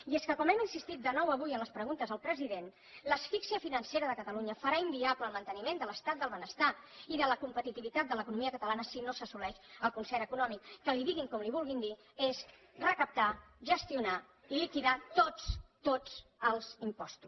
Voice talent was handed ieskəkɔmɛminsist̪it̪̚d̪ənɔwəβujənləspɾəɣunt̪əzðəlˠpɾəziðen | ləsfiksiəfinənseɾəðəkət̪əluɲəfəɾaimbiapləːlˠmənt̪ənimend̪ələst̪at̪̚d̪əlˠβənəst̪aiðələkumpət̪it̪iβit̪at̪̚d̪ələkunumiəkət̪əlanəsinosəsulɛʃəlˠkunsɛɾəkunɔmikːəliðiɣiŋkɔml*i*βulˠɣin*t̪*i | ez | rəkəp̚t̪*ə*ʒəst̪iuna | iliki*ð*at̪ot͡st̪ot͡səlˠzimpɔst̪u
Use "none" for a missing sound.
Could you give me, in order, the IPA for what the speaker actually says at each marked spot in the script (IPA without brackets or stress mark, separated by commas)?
i, d̪, a, ð